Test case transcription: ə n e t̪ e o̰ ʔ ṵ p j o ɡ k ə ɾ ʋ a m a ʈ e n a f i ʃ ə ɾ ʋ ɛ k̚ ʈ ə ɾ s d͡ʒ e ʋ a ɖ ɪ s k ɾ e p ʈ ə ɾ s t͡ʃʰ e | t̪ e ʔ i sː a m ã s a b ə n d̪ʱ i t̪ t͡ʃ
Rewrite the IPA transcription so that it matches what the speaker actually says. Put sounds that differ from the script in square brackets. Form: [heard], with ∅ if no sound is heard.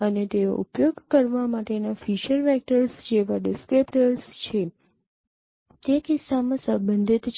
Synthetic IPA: ə n e t̪ e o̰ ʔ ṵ p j o ɡ k ə ɾ ʋ a m a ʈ e n a f i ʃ ə ɾ ʋ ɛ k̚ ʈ ə ɾ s d͡ʒ e ʋ a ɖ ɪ s k ɾ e p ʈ ə ɾ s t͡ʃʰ e | t̪ e [k] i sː a m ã s [ə] b ə n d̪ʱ i t̪ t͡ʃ